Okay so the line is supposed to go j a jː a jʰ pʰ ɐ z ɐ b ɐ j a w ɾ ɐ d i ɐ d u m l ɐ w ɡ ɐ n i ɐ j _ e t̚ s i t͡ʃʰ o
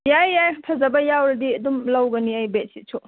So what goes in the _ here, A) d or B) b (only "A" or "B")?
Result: B